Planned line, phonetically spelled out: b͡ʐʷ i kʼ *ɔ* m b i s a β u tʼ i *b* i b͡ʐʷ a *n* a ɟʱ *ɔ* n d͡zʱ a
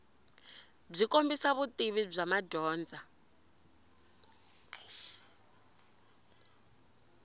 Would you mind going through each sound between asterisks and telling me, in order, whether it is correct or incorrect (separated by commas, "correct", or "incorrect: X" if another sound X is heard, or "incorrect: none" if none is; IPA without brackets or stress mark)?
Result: incorrect: o, incorrect: β, incorrect: m, incorrect: ɔː